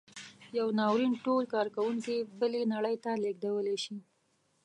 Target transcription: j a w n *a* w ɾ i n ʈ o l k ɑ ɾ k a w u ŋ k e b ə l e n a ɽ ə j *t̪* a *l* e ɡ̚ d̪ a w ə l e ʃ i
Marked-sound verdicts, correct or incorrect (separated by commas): incorrect, correct, correct